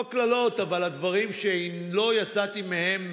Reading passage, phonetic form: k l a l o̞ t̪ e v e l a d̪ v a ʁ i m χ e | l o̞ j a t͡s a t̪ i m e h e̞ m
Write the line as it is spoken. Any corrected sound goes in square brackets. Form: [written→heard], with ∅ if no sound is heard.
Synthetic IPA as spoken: k l a l o̞ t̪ [e→a] v [e→a] l a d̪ v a ʁ i m [χ→ʃ] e | l o̞ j a t͡s a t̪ i m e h e̞ m